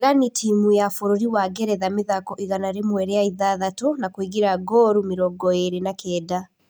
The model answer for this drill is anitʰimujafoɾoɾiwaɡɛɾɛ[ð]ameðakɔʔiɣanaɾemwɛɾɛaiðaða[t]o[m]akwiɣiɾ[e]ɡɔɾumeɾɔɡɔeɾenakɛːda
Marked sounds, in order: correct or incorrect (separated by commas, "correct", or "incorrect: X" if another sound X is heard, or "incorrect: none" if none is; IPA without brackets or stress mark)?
correct, correct, incorrect: n, incorrect: a